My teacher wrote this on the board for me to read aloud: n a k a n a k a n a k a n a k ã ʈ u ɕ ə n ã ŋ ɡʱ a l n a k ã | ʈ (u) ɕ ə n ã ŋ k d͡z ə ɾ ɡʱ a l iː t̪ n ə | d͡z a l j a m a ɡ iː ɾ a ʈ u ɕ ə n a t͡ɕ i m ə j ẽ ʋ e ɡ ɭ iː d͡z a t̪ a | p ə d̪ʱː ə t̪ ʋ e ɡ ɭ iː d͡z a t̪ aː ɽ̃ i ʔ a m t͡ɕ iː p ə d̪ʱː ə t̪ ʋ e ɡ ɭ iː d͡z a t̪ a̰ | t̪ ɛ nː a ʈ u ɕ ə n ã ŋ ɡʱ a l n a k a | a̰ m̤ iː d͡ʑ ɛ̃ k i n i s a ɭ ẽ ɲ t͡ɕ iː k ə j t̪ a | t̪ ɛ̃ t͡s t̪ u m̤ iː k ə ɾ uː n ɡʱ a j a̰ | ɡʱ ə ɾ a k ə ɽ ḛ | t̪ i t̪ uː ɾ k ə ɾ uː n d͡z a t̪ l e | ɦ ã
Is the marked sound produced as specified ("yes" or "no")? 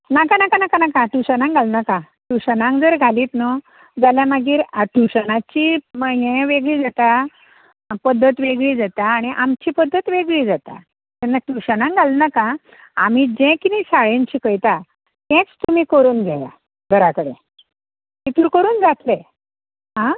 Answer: yes